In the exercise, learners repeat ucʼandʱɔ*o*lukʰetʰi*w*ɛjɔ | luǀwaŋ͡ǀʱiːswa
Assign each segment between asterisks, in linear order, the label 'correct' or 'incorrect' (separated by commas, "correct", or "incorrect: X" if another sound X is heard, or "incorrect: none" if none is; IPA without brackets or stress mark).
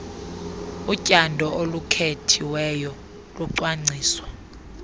correct, correct